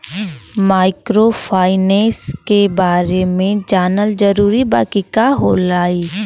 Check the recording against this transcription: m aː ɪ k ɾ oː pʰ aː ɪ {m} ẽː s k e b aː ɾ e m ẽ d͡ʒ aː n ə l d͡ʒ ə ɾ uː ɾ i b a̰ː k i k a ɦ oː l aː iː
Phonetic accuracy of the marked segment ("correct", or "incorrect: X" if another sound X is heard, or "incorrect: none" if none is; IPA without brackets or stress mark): incorrect: n